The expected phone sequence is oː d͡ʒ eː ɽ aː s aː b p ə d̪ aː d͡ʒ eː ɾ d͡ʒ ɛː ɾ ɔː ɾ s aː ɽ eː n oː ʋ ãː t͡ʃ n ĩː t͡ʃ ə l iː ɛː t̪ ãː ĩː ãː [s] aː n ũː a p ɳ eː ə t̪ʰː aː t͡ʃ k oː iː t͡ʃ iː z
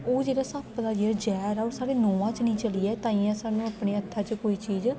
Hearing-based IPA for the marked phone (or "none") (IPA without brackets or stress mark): s